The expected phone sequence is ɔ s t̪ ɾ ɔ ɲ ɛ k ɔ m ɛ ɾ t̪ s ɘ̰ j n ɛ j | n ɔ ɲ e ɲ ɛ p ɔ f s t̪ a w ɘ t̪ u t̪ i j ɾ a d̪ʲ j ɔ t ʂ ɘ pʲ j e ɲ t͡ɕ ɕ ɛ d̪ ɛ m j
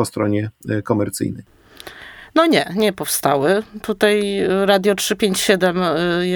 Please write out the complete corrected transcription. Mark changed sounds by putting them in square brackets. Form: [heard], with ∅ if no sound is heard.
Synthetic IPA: ɔ s t̪ ɾ ɔ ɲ ɛ k ɔ m ɛ ɾ t̪ s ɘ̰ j n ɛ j | n ɔ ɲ [ɛ] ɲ ɛ p ɔ f s t̪ a w ɘ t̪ u t̪ [a] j ɾ a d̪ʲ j ɔ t ʂ ɘ pʲ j e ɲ t͡ɕ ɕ ɛ d̪ ɛ m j